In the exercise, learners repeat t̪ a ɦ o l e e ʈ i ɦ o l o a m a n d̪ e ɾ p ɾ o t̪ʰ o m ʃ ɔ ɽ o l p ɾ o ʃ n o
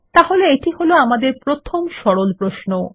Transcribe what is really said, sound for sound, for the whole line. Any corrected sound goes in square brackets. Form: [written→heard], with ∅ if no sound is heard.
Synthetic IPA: t̪ a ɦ o l e e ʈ i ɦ o l o a m a [n→∅] d̪ e ɾ p ɾ o t̪ʰ o m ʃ ɔ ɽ o l p ɾ o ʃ n o